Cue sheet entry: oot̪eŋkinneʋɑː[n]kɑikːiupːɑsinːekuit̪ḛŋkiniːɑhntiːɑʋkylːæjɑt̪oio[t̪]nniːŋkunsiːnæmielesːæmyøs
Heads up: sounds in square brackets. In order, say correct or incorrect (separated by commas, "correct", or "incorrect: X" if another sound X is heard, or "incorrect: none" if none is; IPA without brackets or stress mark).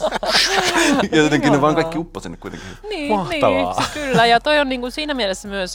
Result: incorrect: ŋ, incorrect: none